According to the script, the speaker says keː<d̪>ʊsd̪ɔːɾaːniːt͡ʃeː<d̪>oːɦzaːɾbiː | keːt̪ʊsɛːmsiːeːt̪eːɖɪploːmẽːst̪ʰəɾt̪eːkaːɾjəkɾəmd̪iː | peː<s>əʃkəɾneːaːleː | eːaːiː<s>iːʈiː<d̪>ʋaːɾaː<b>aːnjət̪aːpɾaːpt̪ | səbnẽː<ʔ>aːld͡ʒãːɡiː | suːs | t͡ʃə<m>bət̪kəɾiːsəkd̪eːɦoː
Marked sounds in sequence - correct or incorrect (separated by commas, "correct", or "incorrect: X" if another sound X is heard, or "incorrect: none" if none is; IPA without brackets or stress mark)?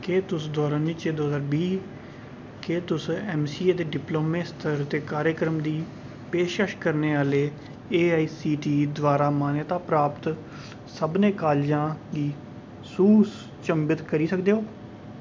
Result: incorrect: t̪, correct, incorrect: ʃ, correct, correct, incorrect: m, incorrect: k, correct